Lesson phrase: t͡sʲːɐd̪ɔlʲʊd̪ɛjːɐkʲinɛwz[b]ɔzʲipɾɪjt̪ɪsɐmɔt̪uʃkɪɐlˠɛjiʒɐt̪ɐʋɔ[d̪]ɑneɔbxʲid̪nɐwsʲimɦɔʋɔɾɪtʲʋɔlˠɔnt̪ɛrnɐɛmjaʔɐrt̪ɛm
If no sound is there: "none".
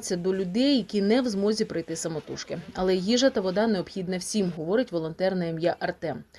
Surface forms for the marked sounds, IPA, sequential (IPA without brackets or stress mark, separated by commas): m, d̪